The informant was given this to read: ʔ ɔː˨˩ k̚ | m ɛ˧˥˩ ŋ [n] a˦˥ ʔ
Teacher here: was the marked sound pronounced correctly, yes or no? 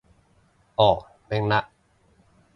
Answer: yes